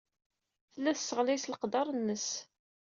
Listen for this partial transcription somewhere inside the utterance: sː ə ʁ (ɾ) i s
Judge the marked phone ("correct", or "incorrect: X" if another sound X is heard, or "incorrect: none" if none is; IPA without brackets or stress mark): incorrect: l